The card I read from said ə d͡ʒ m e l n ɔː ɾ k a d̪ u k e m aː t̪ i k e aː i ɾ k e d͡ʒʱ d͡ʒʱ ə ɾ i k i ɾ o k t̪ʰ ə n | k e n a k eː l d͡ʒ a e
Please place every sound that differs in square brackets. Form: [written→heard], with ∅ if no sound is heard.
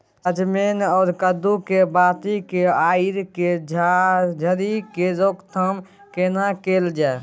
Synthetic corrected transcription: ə d͡ʒ m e [l→∅] n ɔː ɾ k [a→ə] d̪ u k e [m→b] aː t̪ i k e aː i ɾ k e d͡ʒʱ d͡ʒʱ ə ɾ i k [i→e] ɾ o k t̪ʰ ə [n→m] | k e n a k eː l d͡ʒ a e